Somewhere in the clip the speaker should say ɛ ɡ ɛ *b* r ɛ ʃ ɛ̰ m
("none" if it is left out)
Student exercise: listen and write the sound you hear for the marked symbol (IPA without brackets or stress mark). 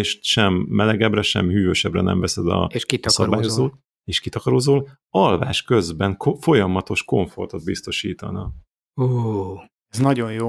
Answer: b